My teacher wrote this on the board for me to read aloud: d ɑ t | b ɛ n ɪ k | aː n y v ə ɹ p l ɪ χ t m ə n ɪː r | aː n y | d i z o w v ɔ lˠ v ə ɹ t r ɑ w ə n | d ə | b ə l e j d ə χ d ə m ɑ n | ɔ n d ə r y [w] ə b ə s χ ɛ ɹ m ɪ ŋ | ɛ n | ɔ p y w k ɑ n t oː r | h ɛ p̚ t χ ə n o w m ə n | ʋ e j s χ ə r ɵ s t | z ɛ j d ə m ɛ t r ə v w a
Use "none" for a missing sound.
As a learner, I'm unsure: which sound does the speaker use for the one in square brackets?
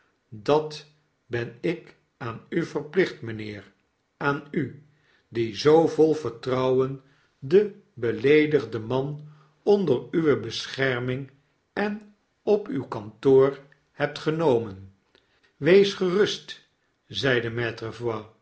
ʋ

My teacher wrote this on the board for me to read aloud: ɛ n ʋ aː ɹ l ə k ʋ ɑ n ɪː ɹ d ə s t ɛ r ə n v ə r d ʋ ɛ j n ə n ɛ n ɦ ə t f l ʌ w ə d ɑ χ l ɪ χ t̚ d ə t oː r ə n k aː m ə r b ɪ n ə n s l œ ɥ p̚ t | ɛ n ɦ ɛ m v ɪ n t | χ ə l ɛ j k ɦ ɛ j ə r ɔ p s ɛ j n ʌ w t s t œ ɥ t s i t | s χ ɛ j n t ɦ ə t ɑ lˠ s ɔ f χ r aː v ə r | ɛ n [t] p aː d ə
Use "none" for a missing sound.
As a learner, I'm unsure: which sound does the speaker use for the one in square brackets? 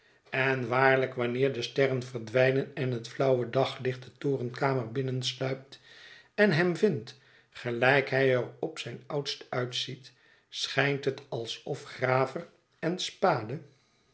s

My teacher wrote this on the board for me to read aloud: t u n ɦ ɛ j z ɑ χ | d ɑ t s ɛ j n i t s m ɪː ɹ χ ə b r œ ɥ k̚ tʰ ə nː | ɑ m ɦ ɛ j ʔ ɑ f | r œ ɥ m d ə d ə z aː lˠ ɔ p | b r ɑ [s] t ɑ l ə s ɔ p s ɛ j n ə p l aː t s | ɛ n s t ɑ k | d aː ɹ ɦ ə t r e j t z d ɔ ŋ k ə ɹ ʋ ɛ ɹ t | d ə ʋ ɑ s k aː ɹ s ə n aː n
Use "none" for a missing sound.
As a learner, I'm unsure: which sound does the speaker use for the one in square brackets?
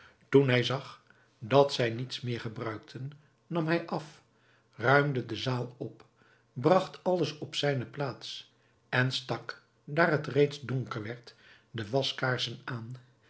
χ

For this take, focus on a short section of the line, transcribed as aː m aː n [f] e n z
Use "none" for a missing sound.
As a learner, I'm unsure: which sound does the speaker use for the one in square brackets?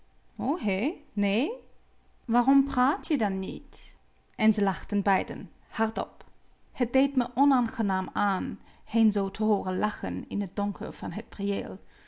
h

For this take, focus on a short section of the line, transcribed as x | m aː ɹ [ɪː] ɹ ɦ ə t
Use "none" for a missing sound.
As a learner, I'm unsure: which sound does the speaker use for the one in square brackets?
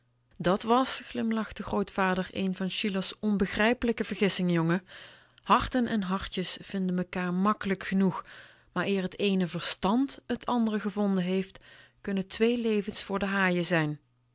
ɪː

